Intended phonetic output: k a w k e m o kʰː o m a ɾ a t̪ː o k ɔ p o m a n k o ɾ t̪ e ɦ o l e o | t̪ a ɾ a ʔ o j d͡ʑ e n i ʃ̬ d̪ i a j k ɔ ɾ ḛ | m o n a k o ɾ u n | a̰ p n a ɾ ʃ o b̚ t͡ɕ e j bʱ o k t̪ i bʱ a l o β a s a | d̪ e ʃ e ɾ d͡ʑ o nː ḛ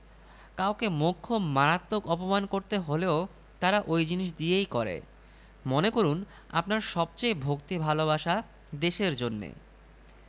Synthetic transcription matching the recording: k a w k e m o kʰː o m a ɾ a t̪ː o k ɔ p o m a n k o ɾ t̪ e ɦ o l e o | t̪ a ɾ a ʔ o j d͡ʑ i n i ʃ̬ d̪ i e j k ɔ ɾ ḛ | m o n e k o ɾ u n | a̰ p n a ɾ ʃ ɔ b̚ t͡ɕ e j bʱ o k t̪ i bʱ a l o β a ʃ a | d̪ e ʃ e ɾ d͡ʑ o nː ḛ